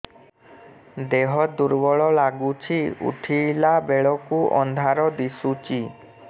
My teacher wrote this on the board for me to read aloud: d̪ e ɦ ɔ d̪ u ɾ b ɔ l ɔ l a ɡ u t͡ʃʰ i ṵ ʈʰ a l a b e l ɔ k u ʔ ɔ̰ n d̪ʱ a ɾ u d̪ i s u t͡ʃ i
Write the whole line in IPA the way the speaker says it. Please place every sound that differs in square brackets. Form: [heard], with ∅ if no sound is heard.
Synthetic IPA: d̪ e ɦ ɔ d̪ u ɾ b ɔ [ɭ] ɔ l a ɡ u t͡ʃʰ i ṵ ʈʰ [i] l a b e [ɭ] ɔ k u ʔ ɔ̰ n d̪ʱ a ɾ [ɔ] d̪ i s u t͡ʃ i